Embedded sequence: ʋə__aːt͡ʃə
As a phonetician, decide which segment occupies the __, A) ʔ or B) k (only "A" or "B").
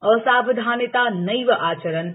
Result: A